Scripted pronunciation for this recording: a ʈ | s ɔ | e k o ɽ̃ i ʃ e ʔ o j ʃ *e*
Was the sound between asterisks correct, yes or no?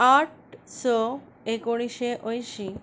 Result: no